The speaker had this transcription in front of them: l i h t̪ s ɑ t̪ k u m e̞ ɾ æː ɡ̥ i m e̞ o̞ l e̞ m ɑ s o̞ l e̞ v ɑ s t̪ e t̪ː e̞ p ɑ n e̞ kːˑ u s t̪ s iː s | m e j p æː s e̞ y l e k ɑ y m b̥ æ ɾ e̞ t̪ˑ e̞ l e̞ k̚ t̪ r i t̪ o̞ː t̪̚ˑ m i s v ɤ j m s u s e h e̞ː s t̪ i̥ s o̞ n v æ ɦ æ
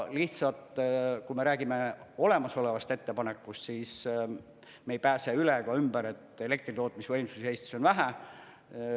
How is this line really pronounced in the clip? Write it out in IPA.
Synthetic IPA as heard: l i h t̪ s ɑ t̪ k u m e̞ ɾ æː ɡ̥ i m e̞ o̞ l e̞ m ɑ s o̞ l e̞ v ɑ s t̪ e t̪ː e̞ p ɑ n e̞ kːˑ u s t̪ s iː s | m e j p æː s e̞ y l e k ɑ y m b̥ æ ɾ e̞ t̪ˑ e̞ l e̞ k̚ t̪ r i t̪ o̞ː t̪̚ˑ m i s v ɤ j m s u s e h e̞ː s t̪ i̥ s o̞ n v æ ɦ æ